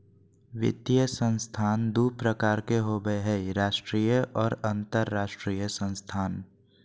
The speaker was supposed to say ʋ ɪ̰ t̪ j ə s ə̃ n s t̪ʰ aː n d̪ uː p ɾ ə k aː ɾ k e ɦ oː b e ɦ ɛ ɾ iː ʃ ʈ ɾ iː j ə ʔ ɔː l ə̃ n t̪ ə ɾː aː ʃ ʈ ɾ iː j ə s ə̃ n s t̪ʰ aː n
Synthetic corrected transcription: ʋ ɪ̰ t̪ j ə s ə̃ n s t̪ʰ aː n d̪ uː p ɾ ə k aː ɾ k e ɦ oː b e ɦ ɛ ɾ aː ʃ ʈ ɾ iː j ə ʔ ɔː ɾ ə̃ n t̪ ə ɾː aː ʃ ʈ ɾ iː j ə s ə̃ n s t̪ʰ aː n